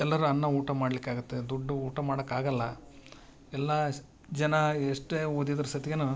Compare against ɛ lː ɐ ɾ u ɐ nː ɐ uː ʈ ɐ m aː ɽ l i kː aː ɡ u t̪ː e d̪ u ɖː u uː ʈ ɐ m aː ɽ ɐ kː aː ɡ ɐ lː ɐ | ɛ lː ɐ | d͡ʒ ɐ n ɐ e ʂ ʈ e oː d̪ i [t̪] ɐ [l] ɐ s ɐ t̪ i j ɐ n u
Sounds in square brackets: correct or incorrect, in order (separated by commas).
incorrect, incorrect